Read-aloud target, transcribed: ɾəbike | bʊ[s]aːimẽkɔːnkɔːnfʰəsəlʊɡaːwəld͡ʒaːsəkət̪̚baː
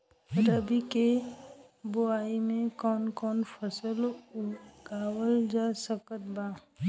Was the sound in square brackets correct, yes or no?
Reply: no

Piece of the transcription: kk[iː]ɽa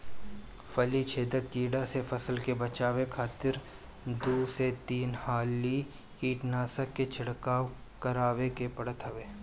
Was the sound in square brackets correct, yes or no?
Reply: yes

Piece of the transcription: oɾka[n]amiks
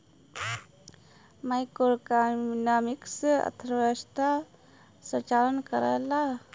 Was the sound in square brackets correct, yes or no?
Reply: yes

